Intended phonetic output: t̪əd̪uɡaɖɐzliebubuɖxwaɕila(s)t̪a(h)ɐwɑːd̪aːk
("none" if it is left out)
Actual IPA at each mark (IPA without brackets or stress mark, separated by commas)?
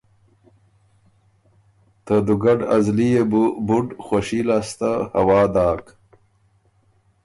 s, h